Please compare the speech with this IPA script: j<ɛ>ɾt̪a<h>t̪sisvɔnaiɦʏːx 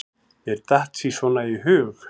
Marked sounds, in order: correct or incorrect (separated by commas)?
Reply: correct, correct